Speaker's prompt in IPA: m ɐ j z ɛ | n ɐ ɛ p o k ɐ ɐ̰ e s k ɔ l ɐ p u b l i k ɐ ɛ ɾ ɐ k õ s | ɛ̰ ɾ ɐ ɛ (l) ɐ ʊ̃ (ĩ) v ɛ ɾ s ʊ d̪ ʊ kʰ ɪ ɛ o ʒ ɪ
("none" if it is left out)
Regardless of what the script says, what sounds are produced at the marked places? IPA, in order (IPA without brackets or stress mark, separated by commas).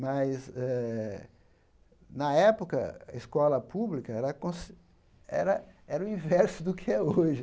ɾ, ĩ